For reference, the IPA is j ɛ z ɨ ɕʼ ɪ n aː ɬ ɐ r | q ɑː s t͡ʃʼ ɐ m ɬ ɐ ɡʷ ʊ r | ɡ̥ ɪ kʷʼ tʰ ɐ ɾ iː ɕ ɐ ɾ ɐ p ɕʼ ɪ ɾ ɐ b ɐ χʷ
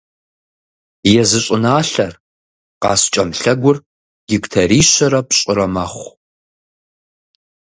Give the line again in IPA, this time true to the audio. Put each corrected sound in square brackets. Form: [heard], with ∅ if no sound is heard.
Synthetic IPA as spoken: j ɛ z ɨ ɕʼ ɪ n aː ɬ ɐ r | q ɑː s t͡ʃʼ ɐ m ɬ ɐ ɡʷ ʊ r | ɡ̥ ɪ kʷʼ tʰ ɐ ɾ iː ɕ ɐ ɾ ɐ p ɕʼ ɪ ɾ ɐ [m] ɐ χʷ